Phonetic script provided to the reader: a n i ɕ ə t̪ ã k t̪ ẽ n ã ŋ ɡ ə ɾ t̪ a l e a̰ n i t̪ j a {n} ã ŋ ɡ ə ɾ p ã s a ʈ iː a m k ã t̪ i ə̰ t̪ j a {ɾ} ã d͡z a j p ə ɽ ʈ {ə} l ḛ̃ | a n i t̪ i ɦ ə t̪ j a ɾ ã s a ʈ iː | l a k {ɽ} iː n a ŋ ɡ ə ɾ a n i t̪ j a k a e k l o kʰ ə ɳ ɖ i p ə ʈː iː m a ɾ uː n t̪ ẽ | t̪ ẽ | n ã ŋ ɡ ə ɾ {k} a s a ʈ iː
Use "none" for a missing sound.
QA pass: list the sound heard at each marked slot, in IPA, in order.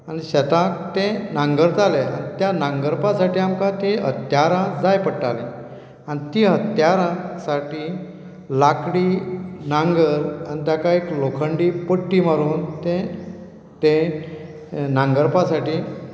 n, ɾ, a, ɽ, p

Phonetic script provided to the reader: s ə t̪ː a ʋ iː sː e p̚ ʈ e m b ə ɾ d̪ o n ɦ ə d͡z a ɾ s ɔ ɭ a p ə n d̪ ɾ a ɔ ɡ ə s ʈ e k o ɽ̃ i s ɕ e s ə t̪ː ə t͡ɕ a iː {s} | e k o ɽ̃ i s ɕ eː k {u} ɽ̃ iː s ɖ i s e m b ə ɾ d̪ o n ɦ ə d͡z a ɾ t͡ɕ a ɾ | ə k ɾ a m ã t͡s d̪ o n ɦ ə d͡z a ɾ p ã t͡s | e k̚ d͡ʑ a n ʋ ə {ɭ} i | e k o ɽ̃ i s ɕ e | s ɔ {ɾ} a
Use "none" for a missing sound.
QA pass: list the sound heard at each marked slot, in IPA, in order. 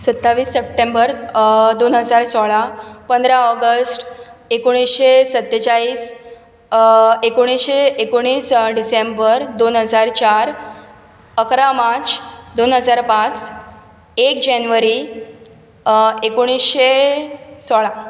s, o, ɾ, ɭ

